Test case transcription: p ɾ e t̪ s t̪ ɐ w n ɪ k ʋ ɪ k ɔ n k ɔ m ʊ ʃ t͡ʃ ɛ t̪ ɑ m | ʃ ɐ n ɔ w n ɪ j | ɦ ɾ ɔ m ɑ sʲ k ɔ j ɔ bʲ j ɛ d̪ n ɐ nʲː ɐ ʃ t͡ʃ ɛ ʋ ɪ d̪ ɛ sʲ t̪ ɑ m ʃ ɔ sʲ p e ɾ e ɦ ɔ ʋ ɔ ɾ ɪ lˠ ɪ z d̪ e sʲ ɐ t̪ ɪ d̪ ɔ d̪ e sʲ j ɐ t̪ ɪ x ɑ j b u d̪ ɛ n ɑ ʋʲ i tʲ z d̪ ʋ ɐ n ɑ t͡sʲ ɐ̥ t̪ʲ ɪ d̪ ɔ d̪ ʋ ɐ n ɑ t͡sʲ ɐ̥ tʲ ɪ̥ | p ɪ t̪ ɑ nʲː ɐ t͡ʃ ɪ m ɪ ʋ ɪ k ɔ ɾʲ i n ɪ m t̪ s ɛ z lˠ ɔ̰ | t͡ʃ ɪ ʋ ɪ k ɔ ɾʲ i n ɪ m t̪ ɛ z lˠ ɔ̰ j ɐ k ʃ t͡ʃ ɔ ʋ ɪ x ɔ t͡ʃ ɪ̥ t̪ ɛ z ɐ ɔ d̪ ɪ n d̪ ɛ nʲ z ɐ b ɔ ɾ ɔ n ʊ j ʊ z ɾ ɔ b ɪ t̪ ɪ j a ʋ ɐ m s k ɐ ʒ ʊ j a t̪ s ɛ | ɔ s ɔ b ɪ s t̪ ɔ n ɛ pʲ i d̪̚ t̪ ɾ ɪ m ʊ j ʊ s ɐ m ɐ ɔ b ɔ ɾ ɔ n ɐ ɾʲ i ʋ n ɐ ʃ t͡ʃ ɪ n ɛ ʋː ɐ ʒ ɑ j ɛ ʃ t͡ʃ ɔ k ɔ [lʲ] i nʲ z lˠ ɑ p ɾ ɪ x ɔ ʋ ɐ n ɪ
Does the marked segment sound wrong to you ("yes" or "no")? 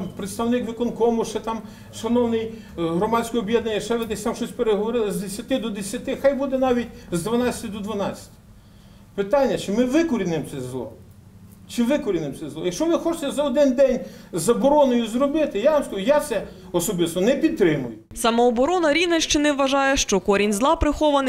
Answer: yes